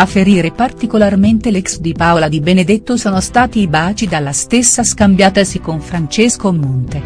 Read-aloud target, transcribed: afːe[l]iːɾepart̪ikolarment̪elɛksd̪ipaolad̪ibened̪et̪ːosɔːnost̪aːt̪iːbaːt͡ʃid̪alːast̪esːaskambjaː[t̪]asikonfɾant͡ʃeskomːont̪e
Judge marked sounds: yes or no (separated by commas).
no, yes